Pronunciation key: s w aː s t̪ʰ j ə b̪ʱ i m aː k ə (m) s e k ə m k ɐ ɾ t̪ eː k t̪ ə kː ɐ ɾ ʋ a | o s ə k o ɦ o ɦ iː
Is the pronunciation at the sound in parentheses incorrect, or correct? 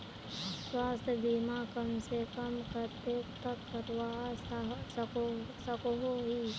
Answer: correct